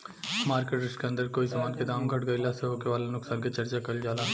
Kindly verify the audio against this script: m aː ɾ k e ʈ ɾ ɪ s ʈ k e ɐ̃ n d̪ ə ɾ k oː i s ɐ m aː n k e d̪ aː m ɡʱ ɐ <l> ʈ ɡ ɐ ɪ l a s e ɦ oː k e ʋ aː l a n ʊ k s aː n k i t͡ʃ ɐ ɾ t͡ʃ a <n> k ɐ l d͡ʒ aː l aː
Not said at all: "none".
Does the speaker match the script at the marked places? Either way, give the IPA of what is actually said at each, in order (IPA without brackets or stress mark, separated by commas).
none, none